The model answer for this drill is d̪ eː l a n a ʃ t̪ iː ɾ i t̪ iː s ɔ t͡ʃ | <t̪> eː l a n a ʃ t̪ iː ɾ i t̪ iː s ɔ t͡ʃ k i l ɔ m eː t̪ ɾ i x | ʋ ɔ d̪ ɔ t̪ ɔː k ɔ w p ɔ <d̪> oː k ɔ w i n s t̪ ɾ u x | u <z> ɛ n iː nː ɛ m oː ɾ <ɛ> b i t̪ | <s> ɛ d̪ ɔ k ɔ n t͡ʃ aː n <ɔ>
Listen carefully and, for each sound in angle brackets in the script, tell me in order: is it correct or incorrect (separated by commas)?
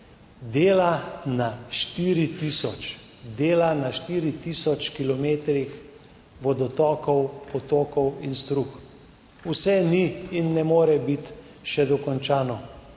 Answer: incorrect, incorrect, incorrect, correct, incorrect, correct